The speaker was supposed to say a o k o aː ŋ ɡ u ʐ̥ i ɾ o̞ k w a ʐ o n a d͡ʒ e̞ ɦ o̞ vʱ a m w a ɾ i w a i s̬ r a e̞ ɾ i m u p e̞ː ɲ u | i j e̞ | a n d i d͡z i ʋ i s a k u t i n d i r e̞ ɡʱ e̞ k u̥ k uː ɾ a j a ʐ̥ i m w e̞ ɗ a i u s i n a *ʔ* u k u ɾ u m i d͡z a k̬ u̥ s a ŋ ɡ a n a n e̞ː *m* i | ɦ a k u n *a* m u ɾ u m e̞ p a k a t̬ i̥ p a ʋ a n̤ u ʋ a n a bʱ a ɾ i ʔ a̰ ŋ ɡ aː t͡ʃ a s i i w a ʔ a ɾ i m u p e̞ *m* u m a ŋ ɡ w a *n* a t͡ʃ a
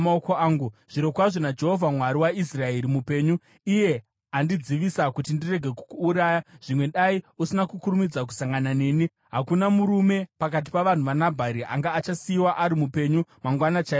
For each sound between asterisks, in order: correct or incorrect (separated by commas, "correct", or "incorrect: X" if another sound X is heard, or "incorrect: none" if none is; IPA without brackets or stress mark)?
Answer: incorrect: k, incorrect: n, correct, incorrect: ɲ, correct